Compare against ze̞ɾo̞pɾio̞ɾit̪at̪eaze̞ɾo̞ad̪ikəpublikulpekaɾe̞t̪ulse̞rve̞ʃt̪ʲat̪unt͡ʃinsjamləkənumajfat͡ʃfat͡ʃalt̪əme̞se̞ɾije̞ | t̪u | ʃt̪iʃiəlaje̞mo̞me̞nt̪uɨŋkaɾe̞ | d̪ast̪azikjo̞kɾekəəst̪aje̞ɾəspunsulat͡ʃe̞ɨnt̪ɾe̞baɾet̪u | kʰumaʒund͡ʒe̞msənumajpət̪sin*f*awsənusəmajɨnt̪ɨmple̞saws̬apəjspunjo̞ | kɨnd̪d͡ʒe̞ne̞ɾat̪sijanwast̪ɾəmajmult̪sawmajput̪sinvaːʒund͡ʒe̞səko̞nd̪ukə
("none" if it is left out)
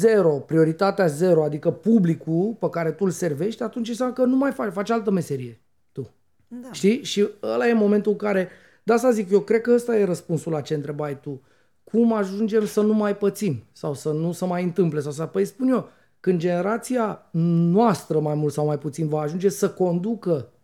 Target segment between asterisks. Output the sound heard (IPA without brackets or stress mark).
s